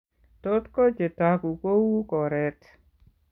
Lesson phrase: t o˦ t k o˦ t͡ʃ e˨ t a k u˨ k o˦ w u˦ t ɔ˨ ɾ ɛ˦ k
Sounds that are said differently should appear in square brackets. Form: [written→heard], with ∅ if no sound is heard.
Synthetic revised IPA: t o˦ t k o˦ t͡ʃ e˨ t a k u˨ k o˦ w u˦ [t→k] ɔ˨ ɾ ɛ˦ [k→t]